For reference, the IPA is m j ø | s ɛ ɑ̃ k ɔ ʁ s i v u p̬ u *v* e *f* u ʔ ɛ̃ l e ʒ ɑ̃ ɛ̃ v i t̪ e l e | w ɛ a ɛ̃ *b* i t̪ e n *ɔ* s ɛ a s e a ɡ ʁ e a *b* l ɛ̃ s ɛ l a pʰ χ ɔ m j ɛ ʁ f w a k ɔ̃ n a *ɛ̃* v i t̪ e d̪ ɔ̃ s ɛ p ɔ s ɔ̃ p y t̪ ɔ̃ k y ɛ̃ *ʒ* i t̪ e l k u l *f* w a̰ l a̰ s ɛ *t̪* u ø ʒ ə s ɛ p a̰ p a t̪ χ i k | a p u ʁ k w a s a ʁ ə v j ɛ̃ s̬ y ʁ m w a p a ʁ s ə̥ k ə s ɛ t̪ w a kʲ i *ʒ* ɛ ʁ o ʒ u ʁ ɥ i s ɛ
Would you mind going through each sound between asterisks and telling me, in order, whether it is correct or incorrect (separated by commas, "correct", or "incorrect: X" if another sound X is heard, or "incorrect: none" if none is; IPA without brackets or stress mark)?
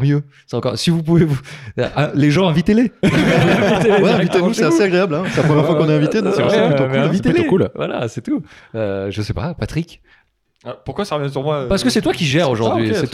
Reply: correct, incorrect: v, incorrect: v, incorrect: u, correct, correct, incorrect: v, incorrect: v, correct, correct